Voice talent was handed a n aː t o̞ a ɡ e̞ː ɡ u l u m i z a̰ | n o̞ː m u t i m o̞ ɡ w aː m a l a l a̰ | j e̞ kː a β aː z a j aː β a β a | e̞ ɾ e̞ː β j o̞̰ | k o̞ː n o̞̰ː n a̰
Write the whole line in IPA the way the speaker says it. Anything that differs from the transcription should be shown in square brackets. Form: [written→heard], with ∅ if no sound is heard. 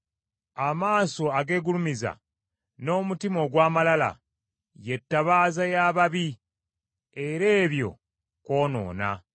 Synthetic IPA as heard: a [n→m] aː [t→s] o̞ a ɡ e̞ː ɡ u l u m i z a̰ | n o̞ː m u t i m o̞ ɡ w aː m a l a l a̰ | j e̞ [kː→tː] a β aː z a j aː β a β [a→i] | e̞ ɾ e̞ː β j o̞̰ | k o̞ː n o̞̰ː n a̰